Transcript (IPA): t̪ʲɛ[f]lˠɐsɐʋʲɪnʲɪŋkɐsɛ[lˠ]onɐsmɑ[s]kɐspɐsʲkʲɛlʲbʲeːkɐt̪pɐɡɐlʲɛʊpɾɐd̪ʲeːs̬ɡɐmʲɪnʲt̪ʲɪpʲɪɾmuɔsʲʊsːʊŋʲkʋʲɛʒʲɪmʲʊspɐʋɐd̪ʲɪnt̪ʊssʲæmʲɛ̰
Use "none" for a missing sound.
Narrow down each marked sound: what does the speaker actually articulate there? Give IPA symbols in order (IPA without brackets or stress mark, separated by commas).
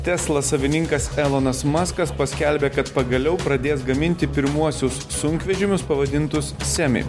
s, lˠ, s